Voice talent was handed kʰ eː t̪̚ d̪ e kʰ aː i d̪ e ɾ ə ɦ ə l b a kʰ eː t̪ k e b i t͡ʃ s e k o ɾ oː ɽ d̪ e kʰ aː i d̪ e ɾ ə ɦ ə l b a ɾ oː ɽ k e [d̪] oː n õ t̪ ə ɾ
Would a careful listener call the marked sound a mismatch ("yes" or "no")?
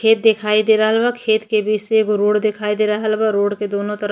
no